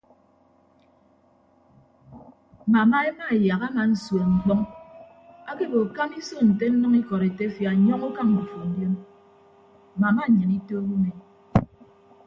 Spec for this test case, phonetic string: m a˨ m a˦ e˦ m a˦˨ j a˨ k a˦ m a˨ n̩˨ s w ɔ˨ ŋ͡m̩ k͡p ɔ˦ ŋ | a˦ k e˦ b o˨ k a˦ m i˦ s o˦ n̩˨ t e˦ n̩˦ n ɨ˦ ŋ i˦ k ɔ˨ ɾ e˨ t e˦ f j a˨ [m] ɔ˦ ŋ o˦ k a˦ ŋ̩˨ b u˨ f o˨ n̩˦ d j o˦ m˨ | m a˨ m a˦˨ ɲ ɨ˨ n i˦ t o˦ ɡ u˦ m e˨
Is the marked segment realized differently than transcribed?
yes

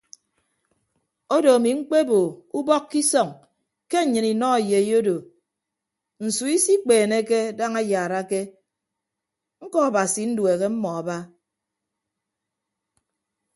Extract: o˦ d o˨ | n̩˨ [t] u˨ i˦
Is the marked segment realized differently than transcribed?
yes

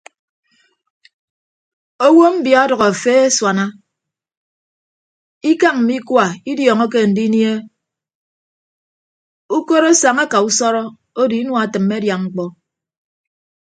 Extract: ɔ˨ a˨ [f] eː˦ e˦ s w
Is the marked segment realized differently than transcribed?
no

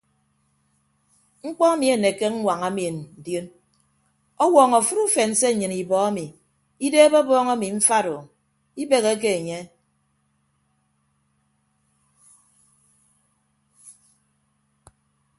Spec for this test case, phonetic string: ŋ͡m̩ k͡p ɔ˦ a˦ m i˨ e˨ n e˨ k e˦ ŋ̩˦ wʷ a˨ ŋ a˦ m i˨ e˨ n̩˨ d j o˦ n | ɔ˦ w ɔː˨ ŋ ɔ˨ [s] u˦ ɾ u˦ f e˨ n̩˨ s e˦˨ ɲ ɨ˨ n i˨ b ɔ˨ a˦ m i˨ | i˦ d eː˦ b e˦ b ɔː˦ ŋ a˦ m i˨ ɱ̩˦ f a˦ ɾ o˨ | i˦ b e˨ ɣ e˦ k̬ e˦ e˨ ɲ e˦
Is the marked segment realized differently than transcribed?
yes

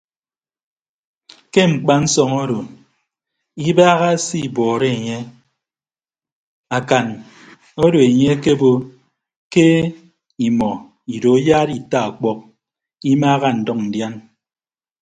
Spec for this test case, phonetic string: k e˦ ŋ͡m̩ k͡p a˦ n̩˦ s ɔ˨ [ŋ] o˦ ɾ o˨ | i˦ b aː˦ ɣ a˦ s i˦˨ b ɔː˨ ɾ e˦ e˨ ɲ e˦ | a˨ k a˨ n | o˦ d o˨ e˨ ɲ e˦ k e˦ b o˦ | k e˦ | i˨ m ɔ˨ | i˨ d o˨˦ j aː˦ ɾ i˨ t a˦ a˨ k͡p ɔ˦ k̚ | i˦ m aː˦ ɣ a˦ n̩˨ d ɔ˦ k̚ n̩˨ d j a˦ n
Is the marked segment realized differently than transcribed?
no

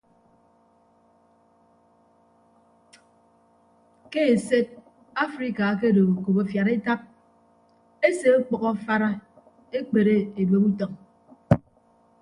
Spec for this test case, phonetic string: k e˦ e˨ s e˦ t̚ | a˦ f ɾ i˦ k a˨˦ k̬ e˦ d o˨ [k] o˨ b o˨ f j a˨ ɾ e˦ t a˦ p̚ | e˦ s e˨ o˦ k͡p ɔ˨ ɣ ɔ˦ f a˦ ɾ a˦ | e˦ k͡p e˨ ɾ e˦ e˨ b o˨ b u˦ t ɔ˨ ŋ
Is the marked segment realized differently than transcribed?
no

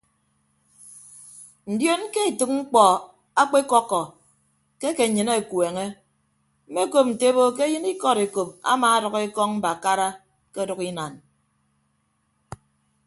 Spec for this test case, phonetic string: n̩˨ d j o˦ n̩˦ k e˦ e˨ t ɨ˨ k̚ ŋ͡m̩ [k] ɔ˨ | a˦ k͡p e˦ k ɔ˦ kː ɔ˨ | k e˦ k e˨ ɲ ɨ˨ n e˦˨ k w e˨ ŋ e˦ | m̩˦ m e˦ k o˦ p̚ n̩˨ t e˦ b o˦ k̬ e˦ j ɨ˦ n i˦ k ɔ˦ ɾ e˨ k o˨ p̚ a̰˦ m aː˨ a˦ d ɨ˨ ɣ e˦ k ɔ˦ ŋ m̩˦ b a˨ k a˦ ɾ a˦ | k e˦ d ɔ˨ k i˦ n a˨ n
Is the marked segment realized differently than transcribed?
yes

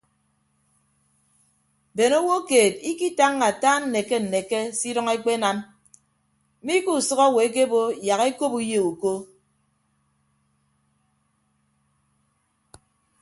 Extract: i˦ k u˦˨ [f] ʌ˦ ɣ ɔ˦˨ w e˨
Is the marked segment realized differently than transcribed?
yes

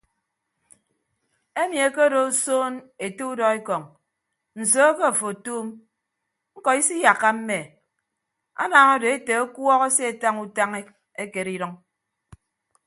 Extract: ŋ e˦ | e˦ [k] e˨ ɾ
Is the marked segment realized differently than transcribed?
no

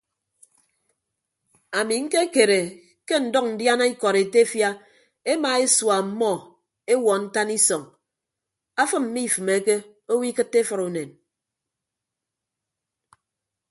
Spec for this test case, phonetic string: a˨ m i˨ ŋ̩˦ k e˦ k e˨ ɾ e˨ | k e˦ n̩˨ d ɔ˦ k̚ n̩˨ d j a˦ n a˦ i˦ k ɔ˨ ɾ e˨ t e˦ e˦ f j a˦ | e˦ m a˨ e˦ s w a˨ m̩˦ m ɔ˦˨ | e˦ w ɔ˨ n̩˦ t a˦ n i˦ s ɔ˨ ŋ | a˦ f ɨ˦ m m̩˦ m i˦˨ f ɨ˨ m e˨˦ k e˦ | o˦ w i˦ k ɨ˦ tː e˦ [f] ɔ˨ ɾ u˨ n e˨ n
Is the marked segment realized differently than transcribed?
no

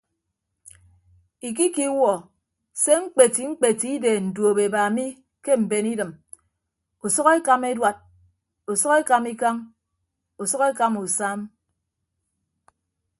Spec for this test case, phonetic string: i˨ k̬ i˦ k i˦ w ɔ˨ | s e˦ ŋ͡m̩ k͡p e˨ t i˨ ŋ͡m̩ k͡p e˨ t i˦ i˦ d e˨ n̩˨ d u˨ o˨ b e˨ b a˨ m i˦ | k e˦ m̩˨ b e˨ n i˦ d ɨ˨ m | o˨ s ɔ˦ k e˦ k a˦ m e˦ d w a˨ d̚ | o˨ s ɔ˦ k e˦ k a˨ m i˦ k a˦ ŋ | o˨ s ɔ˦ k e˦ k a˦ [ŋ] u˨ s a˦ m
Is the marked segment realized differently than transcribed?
yes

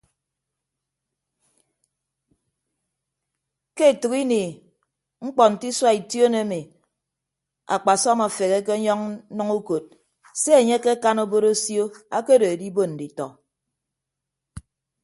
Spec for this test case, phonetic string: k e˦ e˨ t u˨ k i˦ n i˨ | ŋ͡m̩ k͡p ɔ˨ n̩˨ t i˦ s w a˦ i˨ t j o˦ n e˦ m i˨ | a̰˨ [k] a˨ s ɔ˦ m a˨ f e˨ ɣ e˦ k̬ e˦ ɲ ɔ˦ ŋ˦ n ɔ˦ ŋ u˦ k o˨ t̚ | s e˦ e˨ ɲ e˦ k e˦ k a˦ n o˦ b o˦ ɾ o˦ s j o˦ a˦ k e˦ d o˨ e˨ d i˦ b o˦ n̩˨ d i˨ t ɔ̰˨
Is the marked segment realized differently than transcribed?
yes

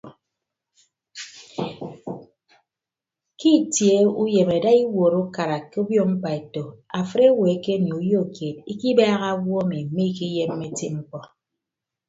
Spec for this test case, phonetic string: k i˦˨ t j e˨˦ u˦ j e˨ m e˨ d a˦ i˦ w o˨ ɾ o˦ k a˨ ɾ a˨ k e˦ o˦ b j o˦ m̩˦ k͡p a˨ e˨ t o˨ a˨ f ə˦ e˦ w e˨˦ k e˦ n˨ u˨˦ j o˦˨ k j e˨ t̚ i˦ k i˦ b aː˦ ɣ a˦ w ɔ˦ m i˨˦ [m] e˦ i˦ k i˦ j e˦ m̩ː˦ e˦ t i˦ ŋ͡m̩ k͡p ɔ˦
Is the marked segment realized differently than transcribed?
no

